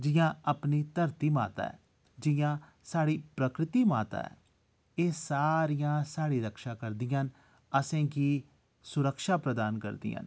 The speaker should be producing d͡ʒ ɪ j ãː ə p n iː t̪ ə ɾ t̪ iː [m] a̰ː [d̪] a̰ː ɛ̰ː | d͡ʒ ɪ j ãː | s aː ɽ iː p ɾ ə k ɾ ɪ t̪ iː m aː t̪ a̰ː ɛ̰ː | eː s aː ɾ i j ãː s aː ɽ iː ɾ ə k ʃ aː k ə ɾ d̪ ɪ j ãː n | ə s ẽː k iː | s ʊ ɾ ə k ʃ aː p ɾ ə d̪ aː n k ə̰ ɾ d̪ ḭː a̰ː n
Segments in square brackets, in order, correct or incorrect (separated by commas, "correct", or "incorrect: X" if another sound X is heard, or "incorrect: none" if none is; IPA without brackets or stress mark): correct, incorrect: t̪